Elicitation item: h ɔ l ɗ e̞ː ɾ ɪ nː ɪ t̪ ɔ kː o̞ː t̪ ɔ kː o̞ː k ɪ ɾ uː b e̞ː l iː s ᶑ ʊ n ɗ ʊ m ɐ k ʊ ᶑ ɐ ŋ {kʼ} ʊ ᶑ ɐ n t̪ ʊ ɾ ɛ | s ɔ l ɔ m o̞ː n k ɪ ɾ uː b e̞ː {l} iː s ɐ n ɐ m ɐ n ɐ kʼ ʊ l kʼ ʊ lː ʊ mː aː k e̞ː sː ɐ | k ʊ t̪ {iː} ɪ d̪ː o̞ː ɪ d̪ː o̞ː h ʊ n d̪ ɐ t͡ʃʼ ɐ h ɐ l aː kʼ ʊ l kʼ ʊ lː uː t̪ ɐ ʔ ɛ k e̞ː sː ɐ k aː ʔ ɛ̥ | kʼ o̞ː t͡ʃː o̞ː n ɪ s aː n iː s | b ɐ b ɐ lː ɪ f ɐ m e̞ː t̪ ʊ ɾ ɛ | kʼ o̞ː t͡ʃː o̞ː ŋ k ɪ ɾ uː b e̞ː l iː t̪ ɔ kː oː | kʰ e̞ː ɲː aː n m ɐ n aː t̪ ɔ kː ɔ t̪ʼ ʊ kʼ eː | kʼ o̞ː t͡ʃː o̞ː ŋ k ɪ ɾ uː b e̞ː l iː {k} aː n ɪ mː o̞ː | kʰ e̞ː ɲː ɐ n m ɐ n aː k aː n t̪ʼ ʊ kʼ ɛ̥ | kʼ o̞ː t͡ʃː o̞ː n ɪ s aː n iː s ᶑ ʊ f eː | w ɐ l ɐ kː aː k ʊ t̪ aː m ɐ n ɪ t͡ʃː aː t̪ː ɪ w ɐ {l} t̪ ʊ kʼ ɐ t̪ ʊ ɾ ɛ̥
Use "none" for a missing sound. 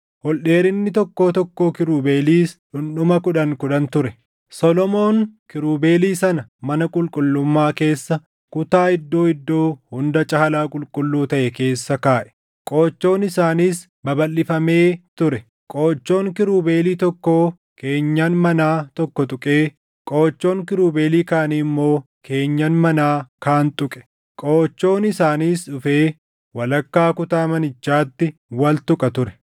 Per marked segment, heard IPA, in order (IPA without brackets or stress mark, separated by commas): k, l, aː, k, l